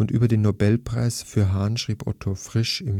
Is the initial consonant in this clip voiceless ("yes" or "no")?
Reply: no